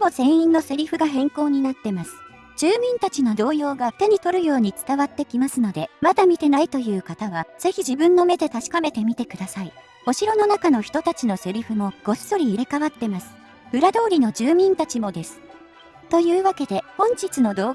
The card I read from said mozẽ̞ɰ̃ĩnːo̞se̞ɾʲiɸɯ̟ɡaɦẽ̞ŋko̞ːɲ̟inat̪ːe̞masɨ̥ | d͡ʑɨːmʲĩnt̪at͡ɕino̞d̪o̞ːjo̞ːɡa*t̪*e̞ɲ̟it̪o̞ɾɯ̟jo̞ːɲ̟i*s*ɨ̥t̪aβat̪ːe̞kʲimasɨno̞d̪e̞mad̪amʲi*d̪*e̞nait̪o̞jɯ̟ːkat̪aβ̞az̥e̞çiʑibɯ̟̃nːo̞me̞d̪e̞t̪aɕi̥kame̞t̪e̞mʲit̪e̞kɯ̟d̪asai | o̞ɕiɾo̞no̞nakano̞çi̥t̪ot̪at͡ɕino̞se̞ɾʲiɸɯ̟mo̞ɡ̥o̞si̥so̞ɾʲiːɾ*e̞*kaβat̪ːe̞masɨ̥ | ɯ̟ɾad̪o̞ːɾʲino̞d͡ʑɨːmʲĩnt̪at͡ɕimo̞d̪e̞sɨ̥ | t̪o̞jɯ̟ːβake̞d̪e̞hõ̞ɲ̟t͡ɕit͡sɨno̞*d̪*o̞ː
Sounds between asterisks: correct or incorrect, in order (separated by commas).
correct, incorrect, incorrect, correct, correct